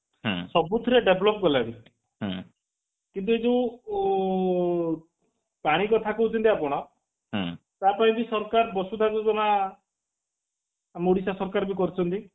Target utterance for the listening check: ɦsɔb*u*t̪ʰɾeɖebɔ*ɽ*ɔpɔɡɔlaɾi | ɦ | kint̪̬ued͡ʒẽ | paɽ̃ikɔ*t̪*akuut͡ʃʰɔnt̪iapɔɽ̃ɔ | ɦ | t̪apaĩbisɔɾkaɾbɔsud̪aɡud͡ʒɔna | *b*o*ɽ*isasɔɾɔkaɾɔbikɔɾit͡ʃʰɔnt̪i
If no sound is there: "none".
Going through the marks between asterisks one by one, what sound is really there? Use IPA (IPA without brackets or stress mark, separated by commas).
u, l, t̪ʰ, m, ɽ